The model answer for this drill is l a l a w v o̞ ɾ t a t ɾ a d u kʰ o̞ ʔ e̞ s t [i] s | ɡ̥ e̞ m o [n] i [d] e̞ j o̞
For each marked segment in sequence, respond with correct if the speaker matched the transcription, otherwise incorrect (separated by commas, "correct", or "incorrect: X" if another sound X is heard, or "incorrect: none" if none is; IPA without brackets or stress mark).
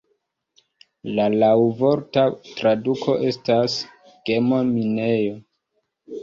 incorrect: a, incorrect: m, incorrect: n